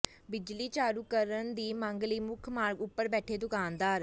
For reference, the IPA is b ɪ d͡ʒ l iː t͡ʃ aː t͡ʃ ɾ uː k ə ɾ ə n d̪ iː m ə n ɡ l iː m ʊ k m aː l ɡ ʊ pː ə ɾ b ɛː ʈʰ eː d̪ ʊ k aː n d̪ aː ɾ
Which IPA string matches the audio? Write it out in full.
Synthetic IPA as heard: b ɪ d͡ʒ l iː t͡ʃ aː ɾ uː k ə ɾ ə n d̪ iː m ə ŋ ɡ l iː m ʊ kʰ m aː ɾ ɡ ʊ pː ə ɾ b ɛː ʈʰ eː d̪ ʊ k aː n d̪ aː ɾ